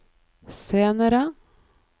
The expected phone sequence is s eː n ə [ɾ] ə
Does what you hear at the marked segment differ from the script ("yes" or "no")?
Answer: no